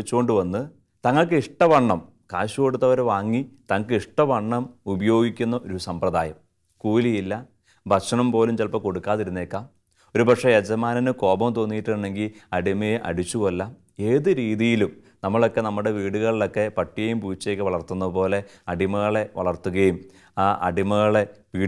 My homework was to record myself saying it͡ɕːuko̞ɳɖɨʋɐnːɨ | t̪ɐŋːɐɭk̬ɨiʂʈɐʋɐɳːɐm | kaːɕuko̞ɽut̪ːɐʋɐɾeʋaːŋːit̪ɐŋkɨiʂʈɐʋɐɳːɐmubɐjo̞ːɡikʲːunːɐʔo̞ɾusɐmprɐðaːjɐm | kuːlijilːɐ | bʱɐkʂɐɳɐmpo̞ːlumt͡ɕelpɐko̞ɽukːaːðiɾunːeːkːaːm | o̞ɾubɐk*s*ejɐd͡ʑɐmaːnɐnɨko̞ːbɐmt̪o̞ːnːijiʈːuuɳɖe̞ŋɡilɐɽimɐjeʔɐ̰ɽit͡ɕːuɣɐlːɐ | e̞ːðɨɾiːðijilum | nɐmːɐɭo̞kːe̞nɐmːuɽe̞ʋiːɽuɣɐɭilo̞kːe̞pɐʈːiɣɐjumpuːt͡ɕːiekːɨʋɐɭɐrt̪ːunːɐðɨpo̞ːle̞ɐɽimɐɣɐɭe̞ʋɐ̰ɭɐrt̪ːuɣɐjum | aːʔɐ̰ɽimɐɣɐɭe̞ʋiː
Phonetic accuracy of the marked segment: incorrect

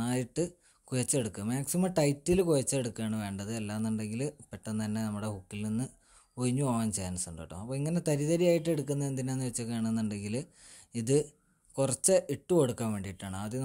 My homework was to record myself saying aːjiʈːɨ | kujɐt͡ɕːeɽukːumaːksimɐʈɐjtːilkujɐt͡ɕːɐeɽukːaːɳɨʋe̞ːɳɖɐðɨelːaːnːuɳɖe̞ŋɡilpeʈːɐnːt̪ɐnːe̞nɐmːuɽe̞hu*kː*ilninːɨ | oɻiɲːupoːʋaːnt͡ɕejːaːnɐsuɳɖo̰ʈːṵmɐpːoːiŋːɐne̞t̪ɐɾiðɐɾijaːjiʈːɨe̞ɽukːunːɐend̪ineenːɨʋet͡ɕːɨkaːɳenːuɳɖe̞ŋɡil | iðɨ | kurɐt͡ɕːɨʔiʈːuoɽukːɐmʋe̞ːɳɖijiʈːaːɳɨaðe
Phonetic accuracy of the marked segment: correct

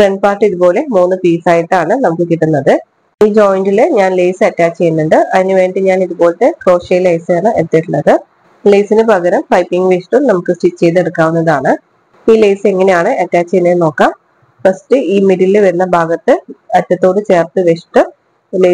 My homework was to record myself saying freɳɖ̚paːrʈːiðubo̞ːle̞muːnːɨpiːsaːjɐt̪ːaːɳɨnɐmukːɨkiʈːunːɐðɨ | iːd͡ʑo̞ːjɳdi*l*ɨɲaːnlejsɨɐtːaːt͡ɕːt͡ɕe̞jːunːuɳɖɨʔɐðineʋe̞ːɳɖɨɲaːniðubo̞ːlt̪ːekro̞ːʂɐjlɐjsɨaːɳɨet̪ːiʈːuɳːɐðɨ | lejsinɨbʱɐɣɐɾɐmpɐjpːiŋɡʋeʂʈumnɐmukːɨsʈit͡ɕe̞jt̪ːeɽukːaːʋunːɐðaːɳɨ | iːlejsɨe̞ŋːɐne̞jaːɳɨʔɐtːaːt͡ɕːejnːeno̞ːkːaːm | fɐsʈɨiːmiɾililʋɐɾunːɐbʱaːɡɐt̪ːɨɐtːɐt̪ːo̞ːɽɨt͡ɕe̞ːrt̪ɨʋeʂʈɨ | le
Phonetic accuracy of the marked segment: correct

